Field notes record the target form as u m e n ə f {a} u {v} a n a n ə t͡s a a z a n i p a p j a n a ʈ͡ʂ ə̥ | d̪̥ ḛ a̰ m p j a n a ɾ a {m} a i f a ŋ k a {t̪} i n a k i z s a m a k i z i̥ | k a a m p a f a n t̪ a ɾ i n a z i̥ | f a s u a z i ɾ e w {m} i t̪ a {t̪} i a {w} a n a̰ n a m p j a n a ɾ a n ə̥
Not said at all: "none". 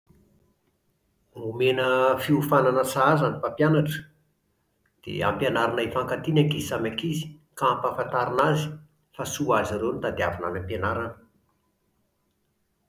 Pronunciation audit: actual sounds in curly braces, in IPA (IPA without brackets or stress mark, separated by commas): i, f, n, t̪, n, d̪, v